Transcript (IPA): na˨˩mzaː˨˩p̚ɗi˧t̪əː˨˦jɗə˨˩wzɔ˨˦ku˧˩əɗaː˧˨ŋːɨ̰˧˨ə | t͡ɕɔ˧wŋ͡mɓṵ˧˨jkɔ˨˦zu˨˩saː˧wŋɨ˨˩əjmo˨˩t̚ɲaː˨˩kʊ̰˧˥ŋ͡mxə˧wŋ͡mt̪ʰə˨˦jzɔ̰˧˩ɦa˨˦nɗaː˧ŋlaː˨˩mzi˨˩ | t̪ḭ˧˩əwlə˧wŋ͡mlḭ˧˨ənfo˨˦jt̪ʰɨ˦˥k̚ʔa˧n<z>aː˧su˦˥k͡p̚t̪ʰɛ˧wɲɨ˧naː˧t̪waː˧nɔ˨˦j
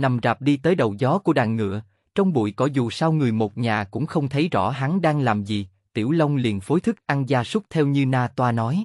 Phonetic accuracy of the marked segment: correct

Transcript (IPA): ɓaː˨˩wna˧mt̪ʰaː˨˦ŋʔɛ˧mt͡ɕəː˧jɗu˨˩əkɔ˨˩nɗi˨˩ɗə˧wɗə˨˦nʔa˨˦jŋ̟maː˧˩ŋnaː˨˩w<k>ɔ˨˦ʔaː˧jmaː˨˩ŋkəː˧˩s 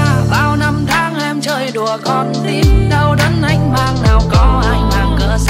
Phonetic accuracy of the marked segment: correct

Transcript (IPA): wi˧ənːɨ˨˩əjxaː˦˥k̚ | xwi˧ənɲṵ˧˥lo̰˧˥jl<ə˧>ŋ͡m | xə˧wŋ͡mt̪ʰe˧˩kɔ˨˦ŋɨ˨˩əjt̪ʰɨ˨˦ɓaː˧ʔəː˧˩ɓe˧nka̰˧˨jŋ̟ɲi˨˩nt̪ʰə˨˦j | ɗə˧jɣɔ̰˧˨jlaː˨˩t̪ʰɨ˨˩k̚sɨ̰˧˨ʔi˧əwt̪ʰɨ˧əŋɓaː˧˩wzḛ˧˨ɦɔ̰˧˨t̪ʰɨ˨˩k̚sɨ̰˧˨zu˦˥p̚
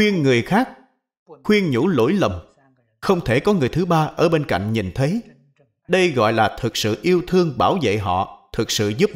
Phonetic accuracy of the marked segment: incorrect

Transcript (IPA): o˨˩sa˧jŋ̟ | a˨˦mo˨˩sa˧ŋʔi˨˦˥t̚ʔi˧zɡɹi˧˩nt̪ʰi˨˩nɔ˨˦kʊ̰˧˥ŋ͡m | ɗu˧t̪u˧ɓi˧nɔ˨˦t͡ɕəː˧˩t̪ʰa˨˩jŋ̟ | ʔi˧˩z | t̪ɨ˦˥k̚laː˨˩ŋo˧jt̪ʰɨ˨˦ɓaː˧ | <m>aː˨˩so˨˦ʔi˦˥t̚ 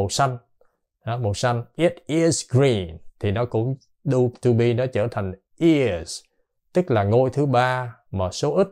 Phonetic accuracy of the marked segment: correct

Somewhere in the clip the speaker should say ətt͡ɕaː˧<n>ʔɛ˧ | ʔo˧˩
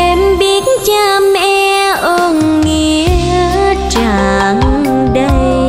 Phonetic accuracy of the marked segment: incorrect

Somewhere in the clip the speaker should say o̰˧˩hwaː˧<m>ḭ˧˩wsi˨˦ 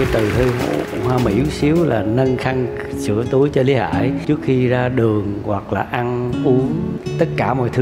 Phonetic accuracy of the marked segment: correct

